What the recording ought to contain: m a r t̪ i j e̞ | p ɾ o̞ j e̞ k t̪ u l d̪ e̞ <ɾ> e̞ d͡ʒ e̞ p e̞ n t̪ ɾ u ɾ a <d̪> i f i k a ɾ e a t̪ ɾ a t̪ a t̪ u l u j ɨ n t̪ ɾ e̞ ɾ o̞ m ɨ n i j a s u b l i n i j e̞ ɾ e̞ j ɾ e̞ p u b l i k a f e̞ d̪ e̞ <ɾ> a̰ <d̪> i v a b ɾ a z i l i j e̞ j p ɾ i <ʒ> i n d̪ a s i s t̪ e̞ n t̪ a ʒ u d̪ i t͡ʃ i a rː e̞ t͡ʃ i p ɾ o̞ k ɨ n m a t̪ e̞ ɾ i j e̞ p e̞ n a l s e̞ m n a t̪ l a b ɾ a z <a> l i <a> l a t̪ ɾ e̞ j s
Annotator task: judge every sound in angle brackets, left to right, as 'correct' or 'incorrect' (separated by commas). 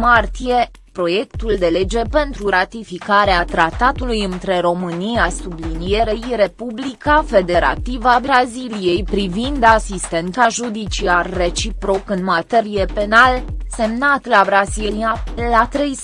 incorrect, incorrect, correct, incorrect, incorrect, incorrect, correct